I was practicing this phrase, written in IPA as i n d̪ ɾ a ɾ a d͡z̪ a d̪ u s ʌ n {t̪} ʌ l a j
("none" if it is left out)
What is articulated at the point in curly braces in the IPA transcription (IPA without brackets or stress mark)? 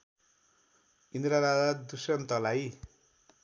t̪